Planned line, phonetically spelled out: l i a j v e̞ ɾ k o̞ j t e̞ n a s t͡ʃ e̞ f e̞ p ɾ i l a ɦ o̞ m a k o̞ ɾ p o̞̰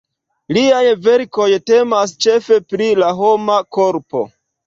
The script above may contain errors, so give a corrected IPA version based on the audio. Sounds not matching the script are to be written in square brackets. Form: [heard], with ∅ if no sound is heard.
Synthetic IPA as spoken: l i a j v e̞ ɾ k o̞ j t e̞ [m] a s t͡ʃ e̞ f e̞ p ɾ i l a ɦ o̞ m a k o̞ ɾ p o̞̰